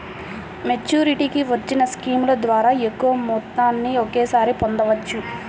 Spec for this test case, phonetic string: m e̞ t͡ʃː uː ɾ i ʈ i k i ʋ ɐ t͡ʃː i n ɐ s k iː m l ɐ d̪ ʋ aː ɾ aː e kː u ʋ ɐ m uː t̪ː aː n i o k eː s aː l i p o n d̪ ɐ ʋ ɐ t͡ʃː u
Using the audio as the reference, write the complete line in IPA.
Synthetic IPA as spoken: m e̞ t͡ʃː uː ɾ i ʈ i k i ʋ ɐ t͡ʃː i n ɐ s k iː m l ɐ d̪ ʋ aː ɾ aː e kː u ʋ ɐ m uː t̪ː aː nː i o k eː s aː ɾ i p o n d̪ ɐ ʋ ɐ t͡ʃː u